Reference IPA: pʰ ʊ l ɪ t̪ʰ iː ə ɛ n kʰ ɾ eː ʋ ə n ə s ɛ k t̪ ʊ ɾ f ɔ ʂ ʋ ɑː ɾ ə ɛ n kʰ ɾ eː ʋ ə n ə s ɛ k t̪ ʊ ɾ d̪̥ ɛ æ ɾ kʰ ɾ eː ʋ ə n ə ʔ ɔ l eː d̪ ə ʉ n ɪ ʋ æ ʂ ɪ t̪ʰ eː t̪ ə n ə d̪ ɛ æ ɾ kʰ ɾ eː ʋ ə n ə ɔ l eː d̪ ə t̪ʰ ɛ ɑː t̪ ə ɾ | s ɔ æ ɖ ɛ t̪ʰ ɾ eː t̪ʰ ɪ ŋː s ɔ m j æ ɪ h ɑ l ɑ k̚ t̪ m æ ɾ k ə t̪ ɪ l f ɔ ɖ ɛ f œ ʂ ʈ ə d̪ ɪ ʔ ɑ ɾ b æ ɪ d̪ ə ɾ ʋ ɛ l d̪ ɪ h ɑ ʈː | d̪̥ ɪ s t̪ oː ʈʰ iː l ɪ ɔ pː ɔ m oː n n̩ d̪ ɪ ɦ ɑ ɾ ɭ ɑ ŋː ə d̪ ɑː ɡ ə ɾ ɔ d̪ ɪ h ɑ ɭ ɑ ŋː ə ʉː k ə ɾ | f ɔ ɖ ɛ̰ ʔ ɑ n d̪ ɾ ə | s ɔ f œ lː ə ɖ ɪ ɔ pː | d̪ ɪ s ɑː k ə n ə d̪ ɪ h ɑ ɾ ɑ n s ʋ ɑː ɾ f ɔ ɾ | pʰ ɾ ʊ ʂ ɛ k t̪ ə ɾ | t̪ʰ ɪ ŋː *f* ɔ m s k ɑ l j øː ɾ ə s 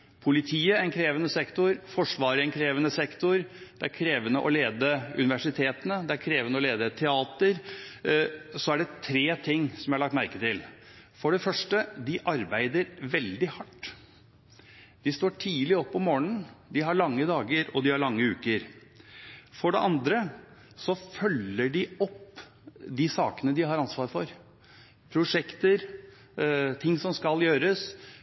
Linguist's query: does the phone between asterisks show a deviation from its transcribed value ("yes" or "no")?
yes